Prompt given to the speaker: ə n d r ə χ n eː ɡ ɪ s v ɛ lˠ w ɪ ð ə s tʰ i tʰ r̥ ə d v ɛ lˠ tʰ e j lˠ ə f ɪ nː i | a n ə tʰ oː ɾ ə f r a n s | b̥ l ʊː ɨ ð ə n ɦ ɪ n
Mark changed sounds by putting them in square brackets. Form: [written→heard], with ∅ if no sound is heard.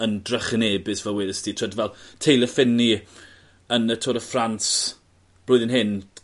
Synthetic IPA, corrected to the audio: ə n d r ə χ n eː [ɡ→b] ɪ s v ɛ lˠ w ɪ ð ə s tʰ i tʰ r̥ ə d v ɛ lˠ tʰ e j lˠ ə f ɪ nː i | [a→ə] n ə tʰ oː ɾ ə f r a n s | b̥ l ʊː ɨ ð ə n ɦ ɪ n